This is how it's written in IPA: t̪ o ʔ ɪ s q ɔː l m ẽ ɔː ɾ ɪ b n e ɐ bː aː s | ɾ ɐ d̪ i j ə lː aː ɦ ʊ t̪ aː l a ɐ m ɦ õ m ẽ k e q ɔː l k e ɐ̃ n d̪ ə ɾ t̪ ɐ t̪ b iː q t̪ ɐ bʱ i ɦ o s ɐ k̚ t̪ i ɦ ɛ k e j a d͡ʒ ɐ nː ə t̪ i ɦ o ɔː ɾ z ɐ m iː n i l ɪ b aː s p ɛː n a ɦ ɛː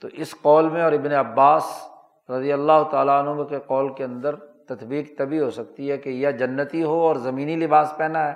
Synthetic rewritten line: t̪ o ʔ ɪ s q ɔː l m ẽ ɔː ɾ ɪ b n e ɐ bː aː s | ɾ ɐ d̪ i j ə lː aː ɦ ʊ t̪ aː l a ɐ n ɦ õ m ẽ k e q ɔː l k e ɐ̃ n d̪ ə ɾ t̪ ɐ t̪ b iː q t̪ ɐ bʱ i ɦ o s ɐ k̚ t̪ i ɦ ɛ k e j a d͡ʒ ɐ nː ə t̪ i ɦ o ɔː ɾ z ɐ m iː n i l ɪ b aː s p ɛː n a ɦ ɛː